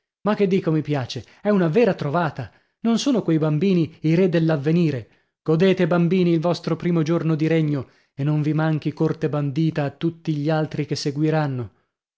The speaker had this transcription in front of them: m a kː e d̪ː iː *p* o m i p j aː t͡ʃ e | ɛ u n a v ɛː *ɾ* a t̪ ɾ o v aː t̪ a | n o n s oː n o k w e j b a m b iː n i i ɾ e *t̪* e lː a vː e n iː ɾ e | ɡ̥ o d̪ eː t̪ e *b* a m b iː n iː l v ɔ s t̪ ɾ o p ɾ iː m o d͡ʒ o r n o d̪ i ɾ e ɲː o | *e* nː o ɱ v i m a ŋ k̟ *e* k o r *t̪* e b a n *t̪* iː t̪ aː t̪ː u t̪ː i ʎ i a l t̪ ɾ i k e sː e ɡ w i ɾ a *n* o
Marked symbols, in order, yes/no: no, yes, no, yes, yes, no, yes, no, no

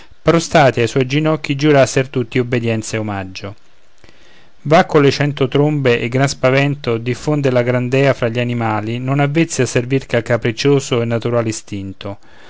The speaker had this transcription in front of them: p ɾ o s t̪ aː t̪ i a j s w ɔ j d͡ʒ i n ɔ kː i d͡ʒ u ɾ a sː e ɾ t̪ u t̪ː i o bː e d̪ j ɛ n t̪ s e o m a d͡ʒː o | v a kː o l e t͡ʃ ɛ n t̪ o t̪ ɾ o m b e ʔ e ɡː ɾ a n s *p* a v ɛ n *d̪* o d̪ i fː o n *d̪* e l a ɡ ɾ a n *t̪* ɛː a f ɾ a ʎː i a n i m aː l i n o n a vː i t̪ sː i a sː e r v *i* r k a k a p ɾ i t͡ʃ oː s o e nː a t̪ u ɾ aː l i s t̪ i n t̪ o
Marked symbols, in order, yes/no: yes, no, yes, no, yes

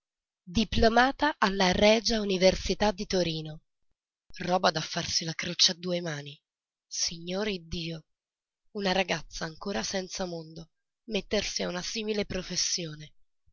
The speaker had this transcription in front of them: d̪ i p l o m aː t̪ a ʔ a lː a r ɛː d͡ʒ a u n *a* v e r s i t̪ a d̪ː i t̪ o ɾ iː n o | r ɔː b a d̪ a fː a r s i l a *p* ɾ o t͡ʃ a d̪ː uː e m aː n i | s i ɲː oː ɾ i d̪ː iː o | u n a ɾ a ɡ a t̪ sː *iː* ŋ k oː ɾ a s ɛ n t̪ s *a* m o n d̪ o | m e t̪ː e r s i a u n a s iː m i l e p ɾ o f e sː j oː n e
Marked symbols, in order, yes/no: no, no, no, yes

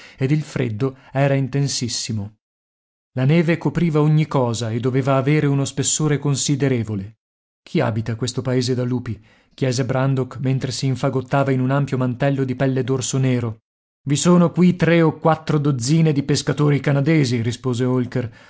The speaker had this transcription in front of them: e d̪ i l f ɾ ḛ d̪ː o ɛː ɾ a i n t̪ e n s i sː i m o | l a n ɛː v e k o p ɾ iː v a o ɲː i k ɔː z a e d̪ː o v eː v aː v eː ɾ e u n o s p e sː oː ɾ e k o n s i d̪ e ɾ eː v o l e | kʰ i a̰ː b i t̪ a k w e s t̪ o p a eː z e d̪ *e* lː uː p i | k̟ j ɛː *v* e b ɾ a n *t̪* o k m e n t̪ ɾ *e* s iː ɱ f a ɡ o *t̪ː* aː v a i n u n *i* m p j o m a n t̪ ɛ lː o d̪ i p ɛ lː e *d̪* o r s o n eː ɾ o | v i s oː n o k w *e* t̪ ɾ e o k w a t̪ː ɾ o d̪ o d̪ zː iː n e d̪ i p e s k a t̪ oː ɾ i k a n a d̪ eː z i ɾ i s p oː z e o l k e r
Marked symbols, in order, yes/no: no, no, no, yes, yes, no, yes, no

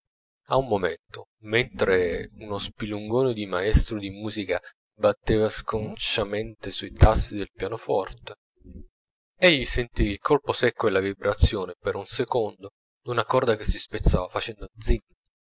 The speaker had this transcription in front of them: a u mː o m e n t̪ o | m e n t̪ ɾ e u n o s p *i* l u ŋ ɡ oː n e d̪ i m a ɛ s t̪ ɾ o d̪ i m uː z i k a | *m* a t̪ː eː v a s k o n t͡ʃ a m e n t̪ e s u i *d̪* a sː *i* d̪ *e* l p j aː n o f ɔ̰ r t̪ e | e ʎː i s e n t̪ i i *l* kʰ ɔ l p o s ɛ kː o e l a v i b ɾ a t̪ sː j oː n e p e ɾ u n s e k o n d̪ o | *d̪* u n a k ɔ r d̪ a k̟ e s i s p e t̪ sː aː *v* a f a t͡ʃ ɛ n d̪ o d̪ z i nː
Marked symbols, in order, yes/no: yes, no, no, yes, yes, yes, yes, yes

